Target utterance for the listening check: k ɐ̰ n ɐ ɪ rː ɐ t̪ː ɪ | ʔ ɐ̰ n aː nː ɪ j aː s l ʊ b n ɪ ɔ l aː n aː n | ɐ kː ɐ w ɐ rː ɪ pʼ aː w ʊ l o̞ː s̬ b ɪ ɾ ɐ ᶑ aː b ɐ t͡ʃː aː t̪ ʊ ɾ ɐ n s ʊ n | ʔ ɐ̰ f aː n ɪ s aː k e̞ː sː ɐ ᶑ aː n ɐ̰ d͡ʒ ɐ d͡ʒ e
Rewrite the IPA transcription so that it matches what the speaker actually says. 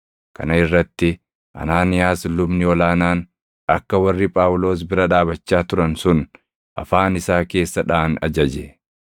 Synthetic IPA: k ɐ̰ n ɐ ɪ rː ɐ t̪ː ɪ | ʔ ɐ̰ n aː n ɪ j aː s l ʊ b n ɪ ɔ l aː n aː n | ɐ kː ɐ w ɐ rː ɪ pʼ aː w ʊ l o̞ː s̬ b ɪ ɾ ɐ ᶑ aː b ɐ t͡ʃː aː t̪ ʊ ɾ ɐ n s ʊ n | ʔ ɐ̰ f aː n ɪ s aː k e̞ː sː ɐ ᶑ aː n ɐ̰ d͡ʒ ɐ d͡ʒ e